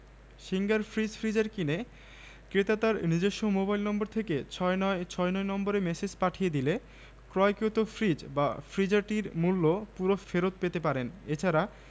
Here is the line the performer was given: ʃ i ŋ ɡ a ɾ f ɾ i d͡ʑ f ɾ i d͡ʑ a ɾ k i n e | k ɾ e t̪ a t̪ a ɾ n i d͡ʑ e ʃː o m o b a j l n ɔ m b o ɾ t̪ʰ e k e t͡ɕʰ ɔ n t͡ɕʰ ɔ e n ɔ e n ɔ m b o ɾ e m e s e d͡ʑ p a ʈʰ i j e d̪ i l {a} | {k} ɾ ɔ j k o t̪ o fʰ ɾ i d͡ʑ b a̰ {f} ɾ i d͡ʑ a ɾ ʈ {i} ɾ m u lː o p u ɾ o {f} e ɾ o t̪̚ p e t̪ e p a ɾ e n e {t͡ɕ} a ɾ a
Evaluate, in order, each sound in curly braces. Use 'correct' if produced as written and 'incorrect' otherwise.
incorrect, correct, correct, correct, correct, incorrect

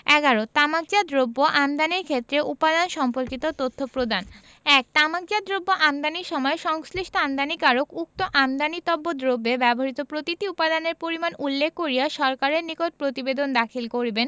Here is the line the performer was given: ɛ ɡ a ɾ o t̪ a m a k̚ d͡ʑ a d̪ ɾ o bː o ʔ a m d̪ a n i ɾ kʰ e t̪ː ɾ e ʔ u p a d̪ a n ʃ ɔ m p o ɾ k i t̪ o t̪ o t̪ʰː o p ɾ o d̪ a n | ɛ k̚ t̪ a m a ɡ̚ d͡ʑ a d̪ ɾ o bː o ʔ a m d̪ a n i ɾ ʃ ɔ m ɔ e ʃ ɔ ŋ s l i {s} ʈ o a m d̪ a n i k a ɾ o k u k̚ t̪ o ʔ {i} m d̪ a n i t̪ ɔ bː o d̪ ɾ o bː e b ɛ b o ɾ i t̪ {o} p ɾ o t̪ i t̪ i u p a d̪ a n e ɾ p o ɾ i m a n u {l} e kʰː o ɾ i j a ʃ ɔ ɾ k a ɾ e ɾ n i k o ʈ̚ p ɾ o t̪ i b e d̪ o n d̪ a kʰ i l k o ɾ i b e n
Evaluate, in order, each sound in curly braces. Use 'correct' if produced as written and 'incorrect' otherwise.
incorrect, incorrect, correct, incorrect

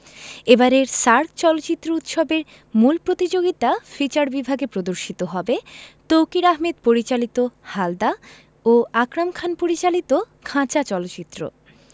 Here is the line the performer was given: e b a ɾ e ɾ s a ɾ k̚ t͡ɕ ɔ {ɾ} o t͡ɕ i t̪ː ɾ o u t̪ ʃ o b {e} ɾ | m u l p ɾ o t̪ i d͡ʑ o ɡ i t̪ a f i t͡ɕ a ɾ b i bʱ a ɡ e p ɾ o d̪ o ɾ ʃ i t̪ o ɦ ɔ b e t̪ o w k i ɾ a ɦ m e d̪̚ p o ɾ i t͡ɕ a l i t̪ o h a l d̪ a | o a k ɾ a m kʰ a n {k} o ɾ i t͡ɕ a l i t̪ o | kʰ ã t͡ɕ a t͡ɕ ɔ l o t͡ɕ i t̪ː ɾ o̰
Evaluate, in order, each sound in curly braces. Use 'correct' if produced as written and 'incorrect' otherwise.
incorrect, correct, incorrect

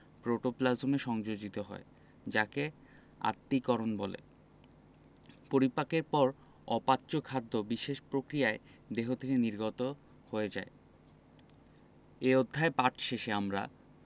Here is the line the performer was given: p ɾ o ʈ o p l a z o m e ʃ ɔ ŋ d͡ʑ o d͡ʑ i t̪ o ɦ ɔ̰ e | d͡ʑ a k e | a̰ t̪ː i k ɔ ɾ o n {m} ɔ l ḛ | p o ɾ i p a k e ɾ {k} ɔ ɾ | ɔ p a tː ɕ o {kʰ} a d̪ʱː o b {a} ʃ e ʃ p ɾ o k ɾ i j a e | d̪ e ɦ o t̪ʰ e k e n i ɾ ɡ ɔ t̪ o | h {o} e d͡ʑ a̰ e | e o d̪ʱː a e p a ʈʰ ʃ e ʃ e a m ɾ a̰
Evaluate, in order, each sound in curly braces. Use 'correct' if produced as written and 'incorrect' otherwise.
incorrect, incorrect, correct, incorrect, correct

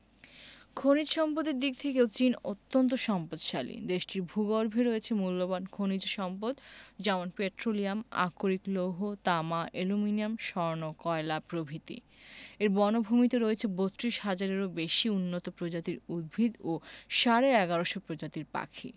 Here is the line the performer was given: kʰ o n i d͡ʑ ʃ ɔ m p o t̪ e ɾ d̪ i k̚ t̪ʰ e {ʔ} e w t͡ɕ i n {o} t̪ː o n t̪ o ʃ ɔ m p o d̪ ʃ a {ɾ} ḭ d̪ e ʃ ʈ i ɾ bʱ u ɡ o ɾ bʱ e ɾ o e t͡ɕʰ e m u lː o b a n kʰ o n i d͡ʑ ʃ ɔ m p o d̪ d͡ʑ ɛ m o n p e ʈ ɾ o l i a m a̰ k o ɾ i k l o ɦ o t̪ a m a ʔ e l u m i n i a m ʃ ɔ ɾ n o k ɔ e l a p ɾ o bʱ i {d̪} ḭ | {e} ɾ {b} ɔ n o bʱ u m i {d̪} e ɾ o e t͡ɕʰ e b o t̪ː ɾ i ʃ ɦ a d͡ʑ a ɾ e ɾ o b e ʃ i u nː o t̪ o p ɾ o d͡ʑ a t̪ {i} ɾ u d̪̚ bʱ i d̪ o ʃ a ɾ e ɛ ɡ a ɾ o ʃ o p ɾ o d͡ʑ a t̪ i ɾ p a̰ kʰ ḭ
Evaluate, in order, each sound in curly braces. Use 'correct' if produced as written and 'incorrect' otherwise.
incorrect, correct, incorrect, incorrect, correct, correct, incorrect, correct

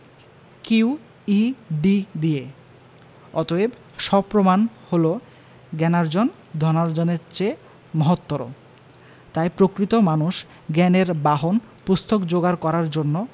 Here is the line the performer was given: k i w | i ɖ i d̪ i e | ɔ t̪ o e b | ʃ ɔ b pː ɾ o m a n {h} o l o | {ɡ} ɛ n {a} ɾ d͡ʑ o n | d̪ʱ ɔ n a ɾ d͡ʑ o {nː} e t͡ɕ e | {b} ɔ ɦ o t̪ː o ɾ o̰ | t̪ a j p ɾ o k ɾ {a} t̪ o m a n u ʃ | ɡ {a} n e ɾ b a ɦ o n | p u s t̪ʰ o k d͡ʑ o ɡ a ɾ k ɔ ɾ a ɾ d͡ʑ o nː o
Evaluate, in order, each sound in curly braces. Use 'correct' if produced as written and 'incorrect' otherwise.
correct, correct, correct, incorrect, incorrect, incorrect, incorrect

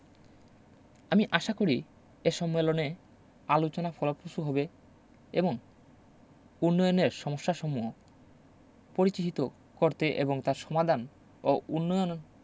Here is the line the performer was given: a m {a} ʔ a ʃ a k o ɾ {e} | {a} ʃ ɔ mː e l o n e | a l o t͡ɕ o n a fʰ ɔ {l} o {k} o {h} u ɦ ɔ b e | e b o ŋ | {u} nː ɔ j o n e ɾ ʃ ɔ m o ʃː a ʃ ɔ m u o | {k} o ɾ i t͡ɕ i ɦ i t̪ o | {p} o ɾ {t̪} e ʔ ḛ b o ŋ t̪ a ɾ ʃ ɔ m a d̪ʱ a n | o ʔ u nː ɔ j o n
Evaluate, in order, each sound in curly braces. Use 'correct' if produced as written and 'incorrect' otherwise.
incorrect, incorrect, incorrect, correct, incorrect, incorrect, correct, incorrect, incorrect, correct

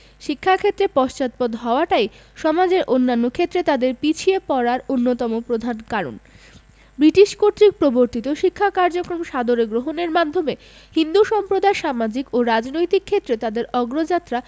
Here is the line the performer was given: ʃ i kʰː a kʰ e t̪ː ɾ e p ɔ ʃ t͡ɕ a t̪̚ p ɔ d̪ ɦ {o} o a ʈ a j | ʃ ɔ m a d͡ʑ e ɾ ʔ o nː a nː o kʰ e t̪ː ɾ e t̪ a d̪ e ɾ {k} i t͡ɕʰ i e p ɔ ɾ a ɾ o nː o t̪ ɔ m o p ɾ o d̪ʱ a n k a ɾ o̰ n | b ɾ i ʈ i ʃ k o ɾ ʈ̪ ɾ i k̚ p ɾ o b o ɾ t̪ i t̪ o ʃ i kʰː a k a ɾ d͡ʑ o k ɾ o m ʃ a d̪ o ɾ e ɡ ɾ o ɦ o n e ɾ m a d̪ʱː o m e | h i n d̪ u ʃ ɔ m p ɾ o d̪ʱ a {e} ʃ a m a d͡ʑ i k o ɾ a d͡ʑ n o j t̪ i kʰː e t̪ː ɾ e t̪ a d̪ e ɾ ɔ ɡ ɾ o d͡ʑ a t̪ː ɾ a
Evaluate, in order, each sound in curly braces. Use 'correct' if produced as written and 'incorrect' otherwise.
incorrect, incorrect, correct

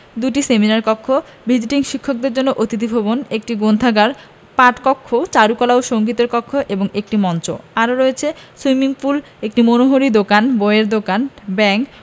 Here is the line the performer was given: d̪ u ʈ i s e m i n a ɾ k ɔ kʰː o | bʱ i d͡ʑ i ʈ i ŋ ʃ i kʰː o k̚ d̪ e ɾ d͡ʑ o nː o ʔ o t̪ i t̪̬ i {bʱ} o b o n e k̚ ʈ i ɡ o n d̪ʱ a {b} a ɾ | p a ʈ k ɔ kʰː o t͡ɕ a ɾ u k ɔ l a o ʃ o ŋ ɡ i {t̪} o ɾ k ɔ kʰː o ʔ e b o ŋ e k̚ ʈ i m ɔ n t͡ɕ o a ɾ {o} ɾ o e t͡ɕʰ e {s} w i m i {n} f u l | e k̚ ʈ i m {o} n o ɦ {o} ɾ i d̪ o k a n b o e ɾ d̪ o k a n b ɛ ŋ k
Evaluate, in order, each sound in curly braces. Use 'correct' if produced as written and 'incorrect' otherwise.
correct, incorrect, correct, correct, correct, incorrect, correct, correct

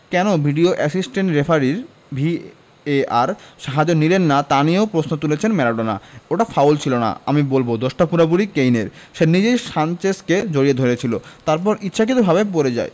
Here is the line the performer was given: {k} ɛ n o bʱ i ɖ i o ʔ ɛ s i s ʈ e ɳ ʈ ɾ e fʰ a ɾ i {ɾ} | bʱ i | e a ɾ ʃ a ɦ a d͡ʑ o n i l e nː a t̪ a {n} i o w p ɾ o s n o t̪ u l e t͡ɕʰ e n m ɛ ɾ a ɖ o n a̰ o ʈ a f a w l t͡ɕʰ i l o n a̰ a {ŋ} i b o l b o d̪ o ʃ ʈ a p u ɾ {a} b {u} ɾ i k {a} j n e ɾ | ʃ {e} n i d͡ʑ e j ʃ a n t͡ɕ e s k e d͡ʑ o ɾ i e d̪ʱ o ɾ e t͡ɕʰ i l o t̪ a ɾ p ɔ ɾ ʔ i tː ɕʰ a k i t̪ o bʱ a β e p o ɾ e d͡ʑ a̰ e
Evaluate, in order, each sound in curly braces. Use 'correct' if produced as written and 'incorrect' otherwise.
correct, correct, correct, incorrect, correct, correct, incorrect, correct

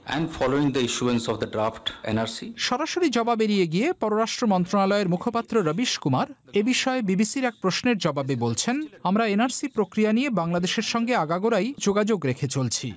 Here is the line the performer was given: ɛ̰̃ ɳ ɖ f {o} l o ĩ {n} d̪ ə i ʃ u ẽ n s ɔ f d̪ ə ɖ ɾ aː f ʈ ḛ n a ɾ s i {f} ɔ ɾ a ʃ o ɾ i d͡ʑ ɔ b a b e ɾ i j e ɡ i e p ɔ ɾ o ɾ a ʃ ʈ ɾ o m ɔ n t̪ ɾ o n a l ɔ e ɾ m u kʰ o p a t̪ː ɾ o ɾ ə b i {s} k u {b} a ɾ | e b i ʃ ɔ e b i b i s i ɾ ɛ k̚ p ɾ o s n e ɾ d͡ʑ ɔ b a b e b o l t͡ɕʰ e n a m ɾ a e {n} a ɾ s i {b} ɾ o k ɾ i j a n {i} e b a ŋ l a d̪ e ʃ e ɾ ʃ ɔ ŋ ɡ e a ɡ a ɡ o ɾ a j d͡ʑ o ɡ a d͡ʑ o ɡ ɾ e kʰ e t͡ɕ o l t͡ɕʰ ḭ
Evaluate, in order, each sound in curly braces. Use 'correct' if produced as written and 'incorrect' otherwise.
incorrect, incorrect, incorrect, incorrect, incorrect, correct, incorrect, correct

